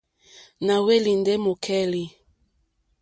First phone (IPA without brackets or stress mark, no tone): n